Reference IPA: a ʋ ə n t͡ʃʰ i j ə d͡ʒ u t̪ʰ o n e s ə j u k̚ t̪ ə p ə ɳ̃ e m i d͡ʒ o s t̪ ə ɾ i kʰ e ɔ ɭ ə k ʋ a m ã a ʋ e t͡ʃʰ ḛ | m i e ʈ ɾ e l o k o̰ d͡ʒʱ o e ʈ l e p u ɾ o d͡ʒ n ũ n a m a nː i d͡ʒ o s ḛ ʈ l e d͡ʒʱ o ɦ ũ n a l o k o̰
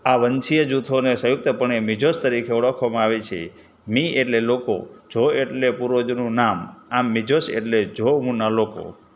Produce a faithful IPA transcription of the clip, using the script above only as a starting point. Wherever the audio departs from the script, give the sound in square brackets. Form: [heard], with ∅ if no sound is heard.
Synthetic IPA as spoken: a ʋ ə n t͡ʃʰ i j ə d͡ʒ u t̪ʰ o n e s ə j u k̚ t̪ ə p ə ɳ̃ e m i d͡ʒ o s t̪ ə ɾ i kʰ e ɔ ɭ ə [kʰ] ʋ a m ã a ʋ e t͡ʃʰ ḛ | m i e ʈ [l] e l o k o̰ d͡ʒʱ o e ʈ l e p u ɾ o d͡ʒ n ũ n a m a [mː] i d͡ʒ o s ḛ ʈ l e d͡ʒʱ o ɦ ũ n a l o k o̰